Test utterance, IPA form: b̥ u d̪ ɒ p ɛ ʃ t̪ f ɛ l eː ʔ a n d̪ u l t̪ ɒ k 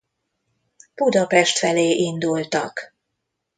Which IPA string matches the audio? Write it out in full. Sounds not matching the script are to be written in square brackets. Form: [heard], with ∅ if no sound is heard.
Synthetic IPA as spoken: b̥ u d̪ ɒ p ɛ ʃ t̪ f ɛ l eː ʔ [i] n d̪ u l t̪ ɒ k